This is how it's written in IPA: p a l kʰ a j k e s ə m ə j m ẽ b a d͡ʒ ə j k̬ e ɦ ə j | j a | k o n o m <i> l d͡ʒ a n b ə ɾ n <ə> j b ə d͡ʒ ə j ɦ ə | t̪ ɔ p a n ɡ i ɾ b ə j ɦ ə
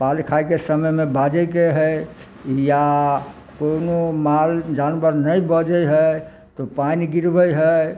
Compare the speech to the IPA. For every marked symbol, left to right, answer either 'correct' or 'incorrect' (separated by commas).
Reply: incorrect, correct